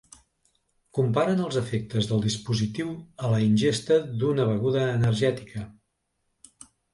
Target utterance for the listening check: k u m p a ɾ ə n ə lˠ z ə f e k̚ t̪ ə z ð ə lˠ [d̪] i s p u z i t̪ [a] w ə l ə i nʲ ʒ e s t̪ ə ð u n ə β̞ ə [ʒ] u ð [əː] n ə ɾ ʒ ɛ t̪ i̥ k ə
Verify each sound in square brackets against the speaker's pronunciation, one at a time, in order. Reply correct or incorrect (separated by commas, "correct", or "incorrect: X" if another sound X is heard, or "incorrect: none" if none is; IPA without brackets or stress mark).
correct, incorrect: i, incorrect: ɣ, correct